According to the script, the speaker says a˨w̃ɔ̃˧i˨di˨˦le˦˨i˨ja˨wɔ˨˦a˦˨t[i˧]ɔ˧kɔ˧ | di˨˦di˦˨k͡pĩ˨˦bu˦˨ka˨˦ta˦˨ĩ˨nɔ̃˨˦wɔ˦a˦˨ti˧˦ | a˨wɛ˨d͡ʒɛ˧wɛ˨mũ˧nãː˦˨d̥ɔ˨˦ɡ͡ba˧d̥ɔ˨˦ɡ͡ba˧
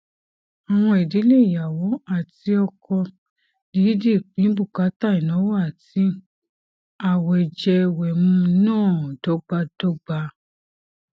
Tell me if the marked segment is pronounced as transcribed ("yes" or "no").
yes